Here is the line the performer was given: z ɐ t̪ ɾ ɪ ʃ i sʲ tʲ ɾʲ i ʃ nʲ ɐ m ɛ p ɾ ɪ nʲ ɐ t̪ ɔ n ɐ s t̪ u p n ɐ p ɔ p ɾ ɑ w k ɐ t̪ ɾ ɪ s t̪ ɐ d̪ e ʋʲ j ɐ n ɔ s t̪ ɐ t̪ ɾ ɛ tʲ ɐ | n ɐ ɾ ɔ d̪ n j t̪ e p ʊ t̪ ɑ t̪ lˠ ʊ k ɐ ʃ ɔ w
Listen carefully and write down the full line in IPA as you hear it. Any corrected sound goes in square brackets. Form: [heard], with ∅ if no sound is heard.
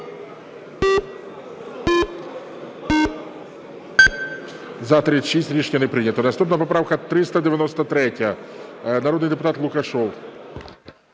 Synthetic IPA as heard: z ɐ t̪ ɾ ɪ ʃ i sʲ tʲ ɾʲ i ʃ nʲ ɐ [n] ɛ p ɾ ɪ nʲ ɐ t̪ ɔ n ɐ s t̪ u p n ɐ p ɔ p ɾ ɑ w k ɐ t̪ ɾ ɪ s t̪ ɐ d̪ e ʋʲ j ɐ n ɔ s t̪ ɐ t̪ ɾ ɛ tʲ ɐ | n ɐ ɾ ɔ d̪ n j [d̪] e p ʊ t̪ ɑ t̪ lˠ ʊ k ɐ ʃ ɔ w